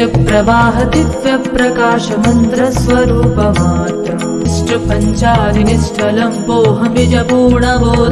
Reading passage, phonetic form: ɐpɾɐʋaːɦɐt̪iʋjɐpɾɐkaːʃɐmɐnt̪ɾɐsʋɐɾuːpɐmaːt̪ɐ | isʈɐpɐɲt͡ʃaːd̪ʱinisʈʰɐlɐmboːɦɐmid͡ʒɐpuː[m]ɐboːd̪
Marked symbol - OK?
no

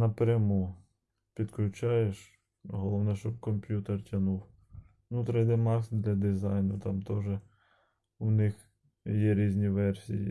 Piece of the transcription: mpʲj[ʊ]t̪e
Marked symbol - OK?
no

